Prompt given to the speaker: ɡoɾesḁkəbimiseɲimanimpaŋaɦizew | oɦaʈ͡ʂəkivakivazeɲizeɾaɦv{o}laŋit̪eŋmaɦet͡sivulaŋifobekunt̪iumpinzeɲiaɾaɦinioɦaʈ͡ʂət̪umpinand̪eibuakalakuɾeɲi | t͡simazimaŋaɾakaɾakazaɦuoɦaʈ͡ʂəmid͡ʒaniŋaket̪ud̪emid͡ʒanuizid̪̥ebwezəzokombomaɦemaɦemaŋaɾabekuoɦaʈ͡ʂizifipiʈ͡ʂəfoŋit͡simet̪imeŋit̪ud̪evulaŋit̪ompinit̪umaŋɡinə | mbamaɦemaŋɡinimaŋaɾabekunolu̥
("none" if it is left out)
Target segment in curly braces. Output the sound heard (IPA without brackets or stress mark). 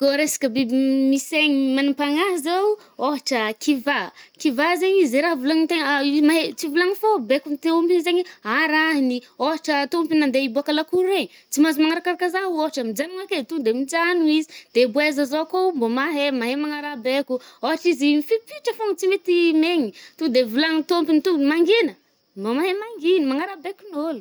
u